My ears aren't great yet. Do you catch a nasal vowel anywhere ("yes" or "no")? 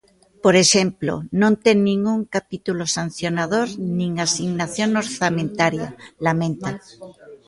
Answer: yes